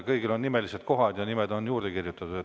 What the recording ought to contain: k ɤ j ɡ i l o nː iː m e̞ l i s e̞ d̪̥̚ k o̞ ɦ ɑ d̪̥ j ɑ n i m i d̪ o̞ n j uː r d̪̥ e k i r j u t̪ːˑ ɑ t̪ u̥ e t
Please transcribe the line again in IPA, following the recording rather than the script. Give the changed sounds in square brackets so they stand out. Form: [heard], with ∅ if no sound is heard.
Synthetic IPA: k ɤ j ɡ i l o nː [i] m e̞ l i s e̞ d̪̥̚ k o̞ ɦ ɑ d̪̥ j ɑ n i m [e] d̪ o̞ n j uː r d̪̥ e k i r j u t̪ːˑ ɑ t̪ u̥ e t